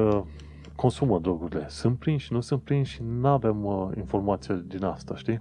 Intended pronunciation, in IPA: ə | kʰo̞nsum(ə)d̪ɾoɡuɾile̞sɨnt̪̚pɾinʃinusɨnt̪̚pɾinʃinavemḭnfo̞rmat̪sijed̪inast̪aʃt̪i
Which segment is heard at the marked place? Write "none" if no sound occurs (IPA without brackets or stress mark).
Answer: ə